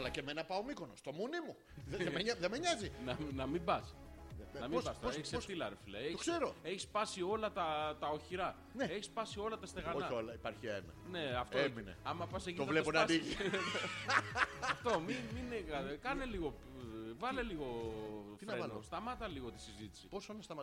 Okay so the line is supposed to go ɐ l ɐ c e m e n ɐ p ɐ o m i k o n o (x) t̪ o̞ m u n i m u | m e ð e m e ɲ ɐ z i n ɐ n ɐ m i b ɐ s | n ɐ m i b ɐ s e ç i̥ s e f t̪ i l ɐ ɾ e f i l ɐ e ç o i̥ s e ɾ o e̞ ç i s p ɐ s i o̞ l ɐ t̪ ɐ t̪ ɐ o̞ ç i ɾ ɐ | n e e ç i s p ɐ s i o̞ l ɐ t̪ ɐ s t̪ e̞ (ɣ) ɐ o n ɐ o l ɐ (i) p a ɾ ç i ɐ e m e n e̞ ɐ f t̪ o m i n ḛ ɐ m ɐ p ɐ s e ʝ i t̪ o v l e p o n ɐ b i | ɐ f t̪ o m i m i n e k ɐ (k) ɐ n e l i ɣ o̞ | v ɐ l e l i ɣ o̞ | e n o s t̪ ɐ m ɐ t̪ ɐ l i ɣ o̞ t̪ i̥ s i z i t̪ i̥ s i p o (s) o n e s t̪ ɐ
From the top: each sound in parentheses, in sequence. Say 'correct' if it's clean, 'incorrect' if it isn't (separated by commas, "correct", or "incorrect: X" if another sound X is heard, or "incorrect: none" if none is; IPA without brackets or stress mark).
incorrect: s, correct, correct, correct, correct